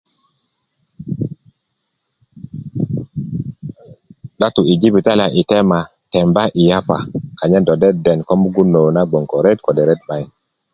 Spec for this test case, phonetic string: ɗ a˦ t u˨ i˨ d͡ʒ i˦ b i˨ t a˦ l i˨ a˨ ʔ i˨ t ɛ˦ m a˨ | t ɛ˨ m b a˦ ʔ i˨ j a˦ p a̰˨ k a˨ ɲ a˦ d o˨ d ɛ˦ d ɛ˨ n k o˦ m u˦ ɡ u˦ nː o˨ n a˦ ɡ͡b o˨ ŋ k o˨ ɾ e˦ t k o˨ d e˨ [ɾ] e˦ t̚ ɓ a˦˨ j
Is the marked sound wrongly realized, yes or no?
no